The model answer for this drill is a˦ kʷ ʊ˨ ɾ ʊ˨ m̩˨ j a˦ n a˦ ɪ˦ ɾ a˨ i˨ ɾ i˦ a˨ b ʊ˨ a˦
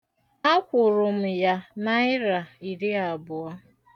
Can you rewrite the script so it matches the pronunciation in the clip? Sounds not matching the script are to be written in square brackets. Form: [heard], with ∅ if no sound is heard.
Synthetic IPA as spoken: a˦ kʷ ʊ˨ ɾ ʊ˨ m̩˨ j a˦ n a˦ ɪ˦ ɾ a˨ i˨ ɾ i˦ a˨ b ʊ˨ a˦